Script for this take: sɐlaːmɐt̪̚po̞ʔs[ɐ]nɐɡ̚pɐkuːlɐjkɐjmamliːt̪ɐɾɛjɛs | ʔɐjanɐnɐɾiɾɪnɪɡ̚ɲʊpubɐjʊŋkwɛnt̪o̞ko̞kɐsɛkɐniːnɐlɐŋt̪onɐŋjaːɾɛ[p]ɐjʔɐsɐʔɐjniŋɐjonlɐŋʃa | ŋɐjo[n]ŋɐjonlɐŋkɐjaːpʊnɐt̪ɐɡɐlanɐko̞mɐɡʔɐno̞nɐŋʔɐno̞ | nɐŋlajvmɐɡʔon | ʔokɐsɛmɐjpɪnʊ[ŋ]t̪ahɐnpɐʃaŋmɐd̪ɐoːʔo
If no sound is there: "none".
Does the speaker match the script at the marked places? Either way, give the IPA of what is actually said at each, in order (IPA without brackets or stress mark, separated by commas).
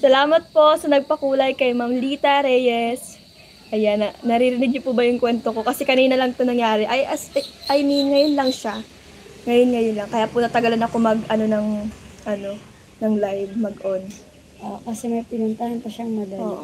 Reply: ɐ, ʔ, n, n